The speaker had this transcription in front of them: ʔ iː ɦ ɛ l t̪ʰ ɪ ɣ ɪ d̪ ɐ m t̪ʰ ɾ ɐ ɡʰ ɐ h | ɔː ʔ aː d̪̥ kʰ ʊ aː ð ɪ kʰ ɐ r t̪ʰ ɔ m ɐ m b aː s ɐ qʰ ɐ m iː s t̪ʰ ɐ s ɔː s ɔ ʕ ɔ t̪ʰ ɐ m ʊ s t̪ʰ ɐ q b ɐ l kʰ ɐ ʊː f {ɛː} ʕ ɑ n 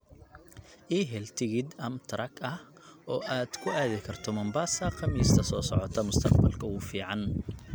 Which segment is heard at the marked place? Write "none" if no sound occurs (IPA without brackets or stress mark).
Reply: iː